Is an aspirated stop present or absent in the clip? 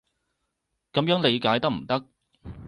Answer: absent